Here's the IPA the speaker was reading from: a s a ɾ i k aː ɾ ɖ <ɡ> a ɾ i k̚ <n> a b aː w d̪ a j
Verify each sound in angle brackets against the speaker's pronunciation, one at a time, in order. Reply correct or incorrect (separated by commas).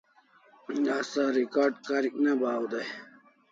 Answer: incorrect, correct